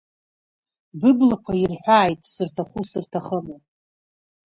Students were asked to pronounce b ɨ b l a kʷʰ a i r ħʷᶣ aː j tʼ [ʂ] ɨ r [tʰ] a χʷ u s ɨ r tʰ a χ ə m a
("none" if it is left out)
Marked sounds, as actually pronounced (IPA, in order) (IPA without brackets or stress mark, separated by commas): s, tʰ